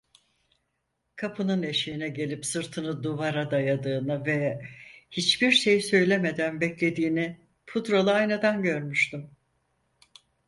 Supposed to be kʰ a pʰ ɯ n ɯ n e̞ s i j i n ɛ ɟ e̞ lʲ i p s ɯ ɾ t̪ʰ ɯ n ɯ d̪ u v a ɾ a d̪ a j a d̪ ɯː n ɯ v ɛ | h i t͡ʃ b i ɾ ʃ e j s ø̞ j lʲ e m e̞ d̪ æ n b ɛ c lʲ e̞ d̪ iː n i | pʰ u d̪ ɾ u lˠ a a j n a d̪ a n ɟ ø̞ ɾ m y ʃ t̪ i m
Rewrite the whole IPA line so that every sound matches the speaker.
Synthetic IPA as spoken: kʰ a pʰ ɯ n ɯ n e̞ ʃ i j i n ɛ ɟ e̞ lʲ i p s ɯ ɾ t̪ʰ ɯ n ɯ d̪ u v a ɾ a d̪ a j a d̪ ɯː n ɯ v ɛ | h i t͡ʃ b i ɾ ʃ e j s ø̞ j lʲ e m e̞ d̪ æ n b ɛ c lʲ e̞ d̪ iː n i | pʰ u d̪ ɾ o lˠ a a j n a d̪ a n ɟ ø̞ ɾ m y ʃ t̪ y m